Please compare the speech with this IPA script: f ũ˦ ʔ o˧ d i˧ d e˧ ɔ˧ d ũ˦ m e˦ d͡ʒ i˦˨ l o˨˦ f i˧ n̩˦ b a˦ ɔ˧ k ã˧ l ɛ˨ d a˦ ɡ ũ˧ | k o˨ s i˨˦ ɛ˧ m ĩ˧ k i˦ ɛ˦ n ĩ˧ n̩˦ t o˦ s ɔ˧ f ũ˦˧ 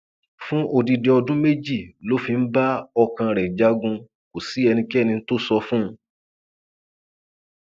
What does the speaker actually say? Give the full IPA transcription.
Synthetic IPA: f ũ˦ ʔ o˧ d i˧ d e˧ ɔ˧ d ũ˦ m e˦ d͡ʒ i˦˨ l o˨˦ f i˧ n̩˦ b a˦ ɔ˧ k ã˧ ɾ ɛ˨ d͡ʒ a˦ ɡ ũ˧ | k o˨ s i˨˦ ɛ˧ n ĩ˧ k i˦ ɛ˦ n ĩ˧ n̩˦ t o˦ s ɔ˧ f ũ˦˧